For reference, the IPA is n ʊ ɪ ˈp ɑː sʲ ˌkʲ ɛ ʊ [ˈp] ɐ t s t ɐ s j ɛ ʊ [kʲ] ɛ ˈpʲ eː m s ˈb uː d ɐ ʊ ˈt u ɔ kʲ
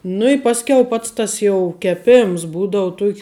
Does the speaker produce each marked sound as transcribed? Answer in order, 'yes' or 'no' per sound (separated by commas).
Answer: yes, yes